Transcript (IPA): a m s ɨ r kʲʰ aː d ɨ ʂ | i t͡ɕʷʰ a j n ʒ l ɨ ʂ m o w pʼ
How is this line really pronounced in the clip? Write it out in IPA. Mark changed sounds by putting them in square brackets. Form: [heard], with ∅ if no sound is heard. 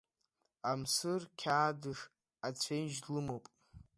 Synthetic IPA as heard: a m s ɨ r kʲʰ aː d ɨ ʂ | [a] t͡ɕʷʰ [e] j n ʒ l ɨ [∅] m o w pʼ